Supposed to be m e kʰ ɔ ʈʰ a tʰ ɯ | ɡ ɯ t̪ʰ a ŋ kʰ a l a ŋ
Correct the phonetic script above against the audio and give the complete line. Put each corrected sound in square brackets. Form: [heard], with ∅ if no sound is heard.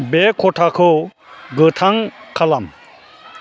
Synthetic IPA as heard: [b] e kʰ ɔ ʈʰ a [kʰ] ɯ | ɡ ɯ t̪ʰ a ŋ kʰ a l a [m]